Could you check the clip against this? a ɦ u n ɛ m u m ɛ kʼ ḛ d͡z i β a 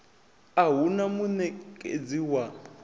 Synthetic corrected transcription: a ɦ u n a m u n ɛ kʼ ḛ d͡z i w a